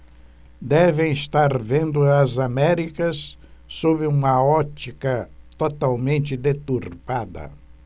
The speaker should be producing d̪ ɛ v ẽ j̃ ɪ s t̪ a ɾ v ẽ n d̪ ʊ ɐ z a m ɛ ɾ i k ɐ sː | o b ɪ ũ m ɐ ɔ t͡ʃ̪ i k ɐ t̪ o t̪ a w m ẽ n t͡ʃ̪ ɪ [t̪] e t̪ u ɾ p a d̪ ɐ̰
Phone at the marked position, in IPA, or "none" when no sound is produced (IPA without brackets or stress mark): d̪